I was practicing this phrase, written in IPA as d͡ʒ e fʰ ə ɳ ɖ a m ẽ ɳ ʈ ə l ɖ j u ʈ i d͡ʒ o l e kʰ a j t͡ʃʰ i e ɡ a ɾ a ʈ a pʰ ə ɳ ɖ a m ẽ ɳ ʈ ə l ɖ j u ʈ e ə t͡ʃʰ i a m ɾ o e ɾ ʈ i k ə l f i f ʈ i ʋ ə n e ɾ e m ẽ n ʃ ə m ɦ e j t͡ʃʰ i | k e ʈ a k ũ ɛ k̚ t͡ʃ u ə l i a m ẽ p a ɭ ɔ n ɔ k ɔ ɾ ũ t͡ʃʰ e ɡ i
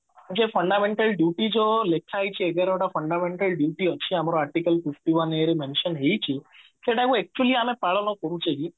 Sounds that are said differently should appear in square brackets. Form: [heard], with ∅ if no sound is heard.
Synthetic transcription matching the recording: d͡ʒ e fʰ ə ɳ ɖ a m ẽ ɳ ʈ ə l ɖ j u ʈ i d͡ʒ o l e kʰ a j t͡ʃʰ i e ɡ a ɾ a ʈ a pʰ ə ɳ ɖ a m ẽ ɳ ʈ ə l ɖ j u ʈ [i] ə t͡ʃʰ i a m ɾ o [a] ɾ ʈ i k ə l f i f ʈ i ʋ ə n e ɾ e m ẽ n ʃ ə [n] ɦ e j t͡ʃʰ i | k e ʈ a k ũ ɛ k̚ t͡ʃ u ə l i a m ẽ p a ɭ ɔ n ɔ k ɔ ɾ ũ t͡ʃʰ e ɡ i